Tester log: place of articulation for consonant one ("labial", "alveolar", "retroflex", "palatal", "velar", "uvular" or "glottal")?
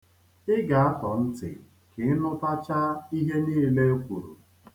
velar